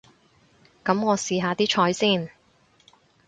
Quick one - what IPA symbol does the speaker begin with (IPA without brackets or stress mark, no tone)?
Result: k